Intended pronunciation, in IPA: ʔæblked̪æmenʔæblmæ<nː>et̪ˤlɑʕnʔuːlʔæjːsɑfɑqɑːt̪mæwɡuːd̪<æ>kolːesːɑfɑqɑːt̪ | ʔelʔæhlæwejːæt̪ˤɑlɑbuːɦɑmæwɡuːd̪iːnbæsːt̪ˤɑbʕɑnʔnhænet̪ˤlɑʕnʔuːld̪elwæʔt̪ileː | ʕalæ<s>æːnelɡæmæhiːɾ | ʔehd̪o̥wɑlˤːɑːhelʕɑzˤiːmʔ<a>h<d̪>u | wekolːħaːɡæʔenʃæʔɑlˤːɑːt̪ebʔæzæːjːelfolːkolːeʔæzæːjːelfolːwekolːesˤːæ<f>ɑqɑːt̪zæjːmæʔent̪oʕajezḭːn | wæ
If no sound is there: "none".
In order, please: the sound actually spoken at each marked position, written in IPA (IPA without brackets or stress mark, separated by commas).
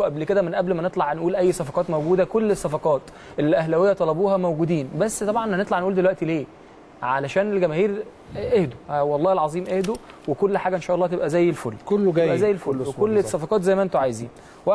n, æ, ʃ, e, d̪, f